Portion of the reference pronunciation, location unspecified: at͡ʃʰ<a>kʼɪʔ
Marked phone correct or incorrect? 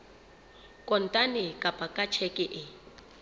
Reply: incorrect